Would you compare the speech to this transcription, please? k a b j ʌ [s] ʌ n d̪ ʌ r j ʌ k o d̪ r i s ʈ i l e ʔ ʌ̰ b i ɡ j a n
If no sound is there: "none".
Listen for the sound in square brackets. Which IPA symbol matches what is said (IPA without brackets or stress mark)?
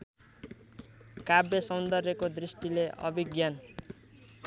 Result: s